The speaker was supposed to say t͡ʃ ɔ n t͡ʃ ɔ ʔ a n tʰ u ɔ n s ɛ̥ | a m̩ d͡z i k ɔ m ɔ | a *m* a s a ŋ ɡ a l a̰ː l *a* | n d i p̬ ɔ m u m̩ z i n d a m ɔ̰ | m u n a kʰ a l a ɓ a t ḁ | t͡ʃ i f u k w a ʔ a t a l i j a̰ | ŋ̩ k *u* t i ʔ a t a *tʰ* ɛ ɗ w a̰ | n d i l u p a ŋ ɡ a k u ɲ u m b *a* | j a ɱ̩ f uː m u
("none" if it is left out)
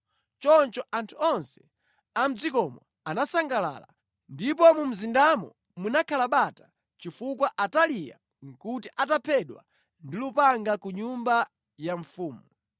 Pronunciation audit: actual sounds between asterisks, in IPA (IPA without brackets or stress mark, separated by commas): n, a, u, pʰ, a